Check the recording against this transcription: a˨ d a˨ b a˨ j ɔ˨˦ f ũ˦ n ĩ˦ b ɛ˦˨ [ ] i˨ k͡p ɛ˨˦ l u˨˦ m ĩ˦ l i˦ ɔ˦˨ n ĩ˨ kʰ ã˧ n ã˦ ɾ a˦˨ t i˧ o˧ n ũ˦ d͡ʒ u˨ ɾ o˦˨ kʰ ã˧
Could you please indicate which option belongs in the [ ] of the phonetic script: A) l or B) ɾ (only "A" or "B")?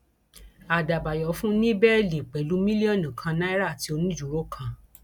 A